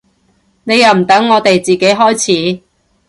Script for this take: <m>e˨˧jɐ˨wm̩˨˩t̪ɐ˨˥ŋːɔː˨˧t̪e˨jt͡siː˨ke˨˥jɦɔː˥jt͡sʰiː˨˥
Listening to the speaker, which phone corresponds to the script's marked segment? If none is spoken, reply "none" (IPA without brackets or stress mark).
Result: n